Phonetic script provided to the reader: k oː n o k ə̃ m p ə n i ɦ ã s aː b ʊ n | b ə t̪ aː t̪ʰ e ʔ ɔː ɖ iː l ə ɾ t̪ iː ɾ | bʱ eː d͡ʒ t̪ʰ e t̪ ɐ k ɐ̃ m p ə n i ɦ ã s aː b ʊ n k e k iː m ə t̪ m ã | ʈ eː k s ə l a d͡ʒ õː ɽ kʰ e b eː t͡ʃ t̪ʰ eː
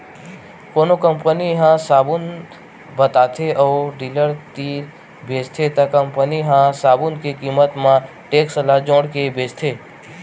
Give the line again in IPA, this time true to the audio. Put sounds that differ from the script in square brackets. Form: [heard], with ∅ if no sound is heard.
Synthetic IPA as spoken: k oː n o k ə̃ m p ə n i ɦ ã s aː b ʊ n | b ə t̪ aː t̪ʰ e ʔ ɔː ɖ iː l ə ɾ t̪ iː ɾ | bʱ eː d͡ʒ t̪ʰ e t̪ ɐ k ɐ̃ m p ə n i ɦ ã s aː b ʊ n k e k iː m ə t̪ m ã | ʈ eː k s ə l a d͡ʒ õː ɽ [k] e b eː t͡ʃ t̪ʰ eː